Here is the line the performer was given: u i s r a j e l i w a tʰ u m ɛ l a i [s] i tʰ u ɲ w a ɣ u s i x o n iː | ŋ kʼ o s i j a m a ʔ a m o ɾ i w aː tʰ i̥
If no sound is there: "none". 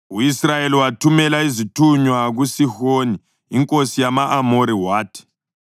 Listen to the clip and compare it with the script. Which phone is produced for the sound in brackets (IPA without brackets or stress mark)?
z